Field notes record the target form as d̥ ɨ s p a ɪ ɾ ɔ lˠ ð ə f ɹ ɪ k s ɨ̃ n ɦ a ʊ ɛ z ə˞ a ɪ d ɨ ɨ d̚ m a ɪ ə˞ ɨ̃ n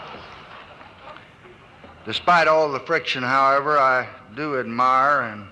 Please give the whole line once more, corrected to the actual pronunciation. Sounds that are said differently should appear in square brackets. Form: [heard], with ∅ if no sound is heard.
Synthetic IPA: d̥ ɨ s p a ɪ ɾ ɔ lˠ ð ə f ɹ ɪ k [ʃ] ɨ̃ n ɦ a ʊ ɛ [v] ə˞ a ɪ d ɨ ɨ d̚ m a ɪ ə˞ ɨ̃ n